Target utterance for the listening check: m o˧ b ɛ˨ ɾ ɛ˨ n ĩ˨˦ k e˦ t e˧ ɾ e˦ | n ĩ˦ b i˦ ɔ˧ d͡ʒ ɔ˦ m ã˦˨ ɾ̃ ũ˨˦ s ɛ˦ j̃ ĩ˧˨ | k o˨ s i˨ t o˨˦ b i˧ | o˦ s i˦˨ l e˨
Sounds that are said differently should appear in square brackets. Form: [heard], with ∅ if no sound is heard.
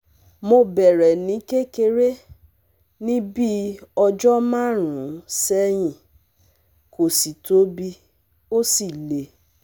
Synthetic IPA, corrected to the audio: m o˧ b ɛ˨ ɾ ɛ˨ n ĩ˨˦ k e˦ [k] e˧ ɾ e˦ | n ĩ˦ b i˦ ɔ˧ d͡ʒ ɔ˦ m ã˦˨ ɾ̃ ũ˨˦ s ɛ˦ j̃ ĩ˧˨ | k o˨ s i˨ t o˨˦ b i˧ | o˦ s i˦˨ l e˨